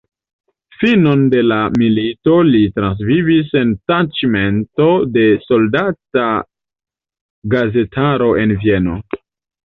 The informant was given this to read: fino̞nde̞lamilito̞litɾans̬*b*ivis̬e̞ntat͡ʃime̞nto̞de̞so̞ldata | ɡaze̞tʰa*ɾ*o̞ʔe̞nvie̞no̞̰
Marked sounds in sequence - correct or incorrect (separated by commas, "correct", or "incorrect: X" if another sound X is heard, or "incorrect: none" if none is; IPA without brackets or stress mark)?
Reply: incorrect: v, correct